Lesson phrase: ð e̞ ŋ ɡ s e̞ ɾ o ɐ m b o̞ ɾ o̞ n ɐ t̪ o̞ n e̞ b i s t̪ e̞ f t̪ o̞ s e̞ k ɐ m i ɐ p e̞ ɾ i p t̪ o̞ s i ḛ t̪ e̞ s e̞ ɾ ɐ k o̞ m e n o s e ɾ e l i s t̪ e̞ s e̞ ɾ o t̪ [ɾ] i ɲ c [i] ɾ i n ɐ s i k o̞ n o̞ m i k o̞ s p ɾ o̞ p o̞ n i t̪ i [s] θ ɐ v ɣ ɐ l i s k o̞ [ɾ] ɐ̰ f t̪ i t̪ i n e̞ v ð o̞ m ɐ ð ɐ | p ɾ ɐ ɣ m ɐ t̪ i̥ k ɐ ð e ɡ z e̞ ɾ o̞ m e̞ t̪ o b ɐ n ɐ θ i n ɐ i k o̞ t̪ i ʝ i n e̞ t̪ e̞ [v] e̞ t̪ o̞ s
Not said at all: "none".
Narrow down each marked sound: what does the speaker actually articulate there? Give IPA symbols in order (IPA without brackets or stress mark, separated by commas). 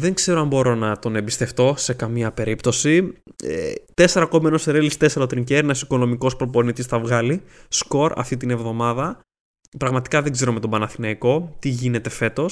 ɾ, e, s, ɾ, f